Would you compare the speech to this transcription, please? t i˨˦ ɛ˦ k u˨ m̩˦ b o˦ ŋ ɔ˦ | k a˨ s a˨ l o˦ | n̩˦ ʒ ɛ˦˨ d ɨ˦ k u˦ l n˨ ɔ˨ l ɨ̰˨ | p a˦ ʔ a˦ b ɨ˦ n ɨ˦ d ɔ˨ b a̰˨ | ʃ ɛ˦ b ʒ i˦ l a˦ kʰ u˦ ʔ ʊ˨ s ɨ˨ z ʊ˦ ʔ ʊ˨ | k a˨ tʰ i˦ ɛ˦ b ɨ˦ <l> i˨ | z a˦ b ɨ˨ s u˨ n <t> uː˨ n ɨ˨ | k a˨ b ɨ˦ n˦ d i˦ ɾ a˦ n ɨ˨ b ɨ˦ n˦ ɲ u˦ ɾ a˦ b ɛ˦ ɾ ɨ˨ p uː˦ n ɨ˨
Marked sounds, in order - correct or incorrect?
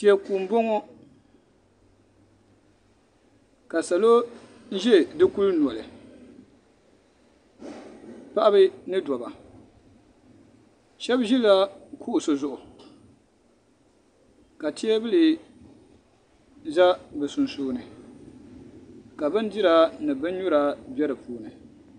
correct, incorrect: s

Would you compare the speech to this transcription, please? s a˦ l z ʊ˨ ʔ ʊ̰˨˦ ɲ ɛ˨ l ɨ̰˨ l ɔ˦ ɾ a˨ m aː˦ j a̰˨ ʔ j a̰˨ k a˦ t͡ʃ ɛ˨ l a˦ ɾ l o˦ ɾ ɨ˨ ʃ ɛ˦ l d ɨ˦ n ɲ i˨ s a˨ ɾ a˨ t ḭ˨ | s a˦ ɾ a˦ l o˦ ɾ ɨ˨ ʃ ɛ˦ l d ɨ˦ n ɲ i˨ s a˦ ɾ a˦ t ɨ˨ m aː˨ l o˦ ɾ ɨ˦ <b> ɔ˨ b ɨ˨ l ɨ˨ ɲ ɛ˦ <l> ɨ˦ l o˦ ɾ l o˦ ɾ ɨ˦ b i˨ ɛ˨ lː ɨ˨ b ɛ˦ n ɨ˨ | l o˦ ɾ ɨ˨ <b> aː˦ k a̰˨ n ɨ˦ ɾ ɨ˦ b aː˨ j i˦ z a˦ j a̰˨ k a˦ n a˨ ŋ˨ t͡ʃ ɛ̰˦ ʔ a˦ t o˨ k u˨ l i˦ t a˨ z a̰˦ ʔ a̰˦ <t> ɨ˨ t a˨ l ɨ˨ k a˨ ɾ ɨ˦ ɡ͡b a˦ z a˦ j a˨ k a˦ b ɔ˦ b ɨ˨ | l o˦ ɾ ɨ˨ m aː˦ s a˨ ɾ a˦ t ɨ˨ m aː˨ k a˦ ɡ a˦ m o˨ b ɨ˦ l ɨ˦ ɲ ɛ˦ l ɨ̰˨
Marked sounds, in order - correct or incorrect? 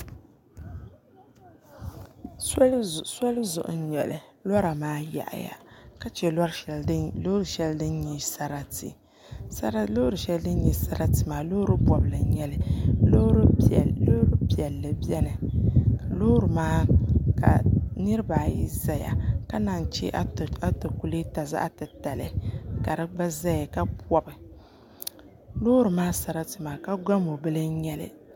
correct, correct, incorrect: m, correct

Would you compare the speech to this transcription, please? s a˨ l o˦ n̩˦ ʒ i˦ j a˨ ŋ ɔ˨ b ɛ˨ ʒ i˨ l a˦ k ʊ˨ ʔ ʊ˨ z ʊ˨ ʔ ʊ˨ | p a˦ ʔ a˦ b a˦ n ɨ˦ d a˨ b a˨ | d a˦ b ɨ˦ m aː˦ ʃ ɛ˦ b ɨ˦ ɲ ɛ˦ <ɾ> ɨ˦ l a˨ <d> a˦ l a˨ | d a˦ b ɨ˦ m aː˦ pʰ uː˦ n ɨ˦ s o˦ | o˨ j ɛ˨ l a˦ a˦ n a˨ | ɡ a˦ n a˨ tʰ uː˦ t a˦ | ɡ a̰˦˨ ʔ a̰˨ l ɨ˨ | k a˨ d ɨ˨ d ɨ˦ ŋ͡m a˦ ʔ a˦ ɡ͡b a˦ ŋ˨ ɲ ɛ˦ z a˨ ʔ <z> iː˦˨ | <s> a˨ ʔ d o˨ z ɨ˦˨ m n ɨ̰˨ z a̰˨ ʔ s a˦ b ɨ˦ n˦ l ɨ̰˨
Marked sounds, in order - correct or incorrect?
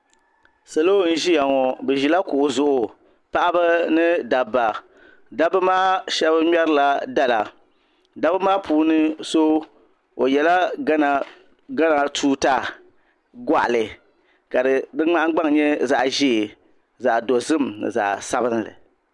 correct, correct, incorrect: ʒ, incorrect: z

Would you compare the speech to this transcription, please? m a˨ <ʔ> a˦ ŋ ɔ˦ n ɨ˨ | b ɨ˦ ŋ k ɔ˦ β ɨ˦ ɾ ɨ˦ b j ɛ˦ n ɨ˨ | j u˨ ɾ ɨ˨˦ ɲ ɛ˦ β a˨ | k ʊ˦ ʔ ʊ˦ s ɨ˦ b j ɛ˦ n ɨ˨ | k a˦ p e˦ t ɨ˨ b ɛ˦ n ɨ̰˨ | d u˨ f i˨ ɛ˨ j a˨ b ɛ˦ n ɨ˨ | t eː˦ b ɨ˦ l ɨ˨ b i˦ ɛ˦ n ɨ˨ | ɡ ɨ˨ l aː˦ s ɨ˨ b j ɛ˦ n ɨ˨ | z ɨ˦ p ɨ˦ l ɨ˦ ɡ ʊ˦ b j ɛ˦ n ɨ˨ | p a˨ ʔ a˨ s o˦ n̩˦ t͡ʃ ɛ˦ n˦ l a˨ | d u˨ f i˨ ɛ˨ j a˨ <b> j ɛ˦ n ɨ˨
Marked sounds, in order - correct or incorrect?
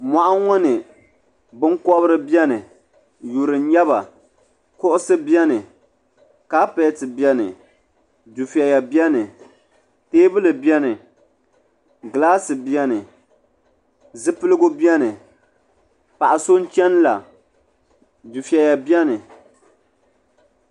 correct, correct

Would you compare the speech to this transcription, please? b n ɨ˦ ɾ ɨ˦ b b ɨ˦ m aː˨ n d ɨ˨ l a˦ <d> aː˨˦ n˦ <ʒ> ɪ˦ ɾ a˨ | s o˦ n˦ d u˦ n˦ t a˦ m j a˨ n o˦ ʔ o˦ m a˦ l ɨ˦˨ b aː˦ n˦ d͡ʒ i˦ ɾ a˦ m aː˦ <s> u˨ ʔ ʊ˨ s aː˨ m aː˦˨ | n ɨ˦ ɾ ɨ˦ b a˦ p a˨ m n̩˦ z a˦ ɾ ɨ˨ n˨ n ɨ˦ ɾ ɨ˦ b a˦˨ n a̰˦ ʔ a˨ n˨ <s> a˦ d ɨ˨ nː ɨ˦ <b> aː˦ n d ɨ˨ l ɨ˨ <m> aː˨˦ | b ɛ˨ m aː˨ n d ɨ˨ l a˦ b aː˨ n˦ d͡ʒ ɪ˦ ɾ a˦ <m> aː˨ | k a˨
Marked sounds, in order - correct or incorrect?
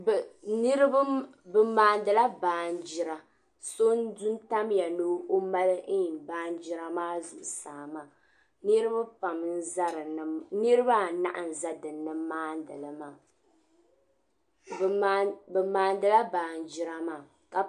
incorrect: b, incorrect: d͡ʒ, incorrect: z, incorrect: z, incorrect: m, correct, correct

